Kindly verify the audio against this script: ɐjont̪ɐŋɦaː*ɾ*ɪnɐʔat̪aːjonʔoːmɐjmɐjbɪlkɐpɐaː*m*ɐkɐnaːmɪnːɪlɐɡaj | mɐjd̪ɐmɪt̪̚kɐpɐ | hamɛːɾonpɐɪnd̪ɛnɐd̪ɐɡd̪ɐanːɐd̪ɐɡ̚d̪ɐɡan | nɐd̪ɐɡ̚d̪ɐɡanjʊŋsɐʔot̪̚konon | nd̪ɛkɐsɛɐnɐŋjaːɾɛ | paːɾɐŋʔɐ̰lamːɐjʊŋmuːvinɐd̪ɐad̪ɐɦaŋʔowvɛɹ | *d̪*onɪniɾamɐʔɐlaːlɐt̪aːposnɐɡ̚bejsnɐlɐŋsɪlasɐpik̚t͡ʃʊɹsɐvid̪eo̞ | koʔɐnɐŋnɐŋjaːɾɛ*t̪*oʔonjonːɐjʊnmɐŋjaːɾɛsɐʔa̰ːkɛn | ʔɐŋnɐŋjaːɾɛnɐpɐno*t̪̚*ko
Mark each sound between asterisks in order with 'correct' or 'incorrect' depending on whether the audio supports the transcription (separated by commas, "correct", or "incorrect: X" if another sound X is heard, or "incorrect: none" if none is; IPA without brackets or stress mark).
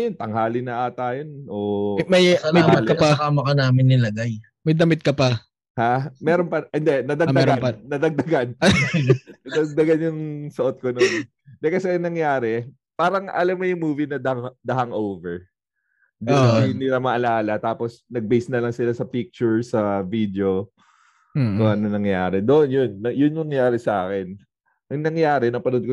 incorrect: l, correct, correct, incorrect: d̪, incorrect: d̪̚